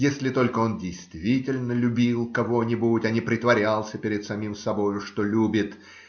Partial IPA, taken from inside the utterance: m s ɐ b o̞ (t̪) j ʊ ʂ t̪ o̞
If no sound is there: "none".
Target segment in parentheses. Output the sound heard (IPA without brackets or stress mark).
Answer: none